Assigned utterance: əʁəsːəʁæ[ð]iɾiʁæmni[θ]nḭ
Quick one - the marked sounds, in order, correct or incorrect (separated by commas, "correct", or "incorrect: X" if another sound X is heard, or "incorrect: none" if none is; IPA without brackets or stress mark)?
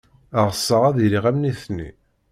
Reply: correct, correct